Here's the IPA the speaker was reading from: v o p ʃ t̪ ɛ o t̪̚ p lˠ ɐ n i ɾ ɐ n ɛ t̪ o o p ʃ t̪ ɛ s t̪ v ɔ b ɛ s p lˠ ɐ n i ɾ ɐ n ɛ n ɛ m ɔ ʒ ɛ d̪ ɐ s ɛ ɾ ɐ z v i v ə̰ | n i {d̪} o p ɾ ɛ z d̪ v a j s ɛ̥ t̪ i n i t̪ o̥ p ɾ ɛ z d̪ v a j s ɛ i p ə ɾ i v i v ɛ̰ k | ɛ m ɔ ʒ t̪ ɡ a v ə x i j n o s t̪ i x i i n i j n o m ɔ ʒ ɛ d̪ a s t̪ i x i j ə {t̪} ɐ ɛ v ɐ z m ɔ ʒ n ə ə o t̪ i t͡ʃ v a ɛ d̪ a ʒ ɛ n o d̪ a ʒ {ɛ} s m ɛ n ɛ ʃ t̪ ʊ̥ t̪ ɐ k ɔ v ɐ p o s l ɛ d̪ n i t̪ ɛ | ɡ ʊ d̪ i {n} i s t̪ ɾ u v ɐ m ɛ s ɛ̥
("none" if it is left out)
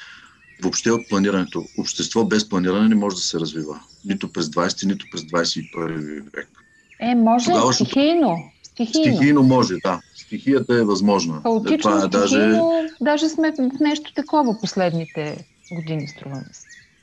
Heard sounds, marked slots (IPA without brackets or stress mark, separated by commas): t̪, t̪, ɛ, n